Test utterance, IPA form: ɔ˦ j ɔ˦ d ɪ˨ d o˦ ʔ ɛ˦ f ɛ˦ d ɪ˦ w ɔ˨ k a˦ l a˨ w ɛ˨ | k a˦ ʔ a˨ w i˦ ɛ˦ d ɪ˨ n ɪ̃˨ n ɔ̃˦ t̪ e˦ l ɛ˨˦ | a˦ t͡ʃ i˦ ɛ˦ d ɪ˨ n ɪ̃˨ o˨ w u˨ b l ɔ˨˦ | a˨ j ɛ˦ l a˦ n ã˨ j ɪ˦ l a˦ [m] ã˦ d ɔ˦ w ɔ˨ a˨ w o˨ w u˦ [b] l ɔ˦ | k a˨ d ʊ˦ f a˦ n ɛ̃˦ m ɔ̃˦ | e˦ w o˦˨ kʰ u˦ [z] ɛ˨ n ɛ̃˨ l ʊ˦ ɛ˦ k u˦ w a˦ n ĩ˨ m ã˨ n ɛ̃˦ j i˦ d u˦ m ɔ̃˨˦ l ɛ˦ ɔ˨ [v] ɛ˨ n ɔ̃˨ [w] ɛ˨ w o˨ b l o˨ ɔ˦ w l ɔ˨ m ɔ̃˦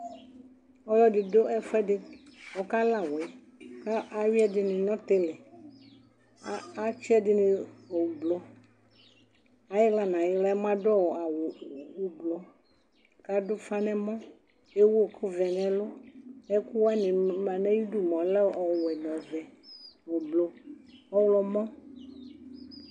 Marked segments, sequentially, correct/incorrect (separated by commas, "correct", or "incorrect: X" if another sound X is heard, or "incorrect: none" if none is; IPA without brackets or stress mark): correct, correct, incorrect: v, incorrect: w, incorrect: v